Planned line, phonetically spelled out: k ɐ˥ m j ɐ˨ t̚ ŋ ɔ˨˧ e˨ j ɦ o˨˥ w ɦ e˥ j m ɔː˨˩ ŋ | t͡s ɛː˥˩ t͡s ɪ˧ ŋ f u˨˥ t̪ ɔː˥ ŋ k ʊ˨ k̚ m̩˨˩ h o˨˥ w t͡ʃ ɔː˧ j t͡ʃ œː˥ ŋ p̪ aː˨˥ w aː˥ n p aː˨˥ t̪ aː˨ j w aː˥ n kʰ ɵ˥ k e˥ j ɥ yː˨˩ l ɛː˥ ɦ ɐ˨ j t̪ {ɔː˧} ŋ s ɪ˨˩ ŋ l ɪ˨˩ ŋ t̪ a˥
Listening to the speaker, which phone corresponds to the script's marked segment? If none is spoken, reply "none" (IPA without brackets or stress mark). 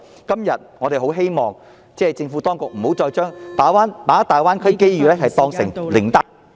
ɔː˧